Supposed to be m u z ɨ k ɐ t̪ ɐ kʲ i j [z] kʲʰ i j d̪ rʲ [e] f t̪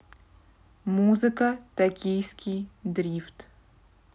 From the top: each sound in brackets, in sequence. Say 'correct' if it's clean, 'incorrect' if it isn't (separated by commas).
incorrect, incorrect